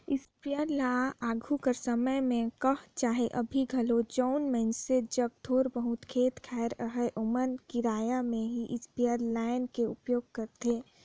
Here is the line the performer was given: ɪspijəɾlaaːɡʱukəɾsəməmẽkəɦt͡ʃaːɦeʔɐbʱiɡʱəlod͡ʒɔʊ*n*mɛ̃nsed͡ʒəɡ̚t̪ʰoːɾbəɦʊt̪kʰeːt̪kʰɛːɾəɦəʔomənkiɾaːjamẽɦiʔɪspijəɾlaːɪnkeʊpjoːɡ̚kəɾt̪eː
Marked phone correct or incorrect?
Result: correct